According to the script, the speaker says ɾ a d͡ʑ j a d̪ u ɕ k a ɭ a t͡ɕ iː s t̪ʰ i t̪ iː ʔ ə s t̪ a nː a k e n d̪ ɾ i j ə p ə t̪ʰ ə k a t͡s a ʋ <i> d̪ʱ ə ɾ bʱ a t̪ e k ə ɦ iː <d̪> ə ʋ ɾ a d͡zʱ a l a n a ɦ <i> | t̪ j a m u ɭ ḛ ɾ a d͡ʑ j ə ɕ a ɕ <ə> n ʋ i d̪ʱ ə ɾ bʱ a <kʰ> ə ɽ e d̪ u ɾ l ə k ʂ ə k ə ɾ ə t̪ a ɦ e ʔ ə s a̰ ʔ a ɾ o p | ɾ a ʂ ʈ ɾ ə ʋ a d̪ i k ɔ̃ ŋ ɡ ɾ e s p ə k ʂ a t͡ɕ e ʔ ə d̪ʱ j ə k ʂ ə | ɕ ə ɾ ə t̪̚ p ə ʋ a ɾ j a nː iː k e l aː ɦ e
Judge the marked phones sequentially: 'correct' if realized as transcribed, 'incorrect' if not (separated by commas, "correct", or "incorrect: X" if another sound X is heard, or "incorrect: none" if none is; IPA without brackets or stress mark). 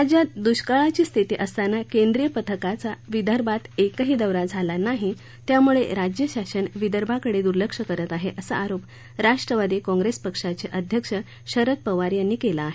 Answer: correct, correct, correct, correct, incorrect: k